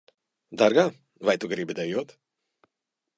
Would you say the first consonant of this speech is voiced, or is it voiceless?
voiced